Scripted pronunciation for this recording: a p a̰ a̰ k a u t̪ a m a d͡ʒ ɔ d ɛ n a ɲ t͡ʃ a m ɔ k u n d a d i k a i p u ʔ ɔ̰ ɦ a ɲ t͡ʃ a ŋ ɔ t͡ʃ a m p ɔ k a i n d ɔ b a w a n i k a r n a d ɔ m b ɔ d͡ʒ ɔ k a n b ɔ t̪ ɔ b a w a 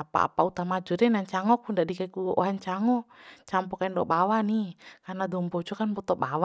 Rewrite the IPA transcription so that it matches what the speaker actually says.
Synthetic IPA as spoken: a p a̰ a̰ p a u t̪ a m a d͡ʒ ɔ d ɛ n a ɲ t͡ʃ a ŋ ɔ k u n d a d i k a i k u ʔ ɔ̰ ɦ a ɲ t͡ʃ a ŋ ɔ t͡ʃ a m p ɔ k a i n d ɔ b a w a n i k a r n a d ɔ m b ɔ d͡ʒ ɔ k a n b ɔ t̪ ɔ b a w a